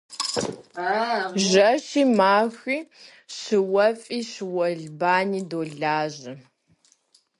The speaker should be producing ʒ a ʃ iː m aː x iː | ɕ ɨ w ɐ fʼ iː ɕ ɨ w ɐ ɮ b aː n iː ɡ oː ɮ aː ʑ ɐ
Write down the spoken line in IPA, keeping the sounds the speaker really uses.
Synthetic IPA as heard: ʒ ɐ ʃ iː m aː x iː | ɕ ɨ w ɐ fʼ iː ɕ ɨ w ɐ ɮ b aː n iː d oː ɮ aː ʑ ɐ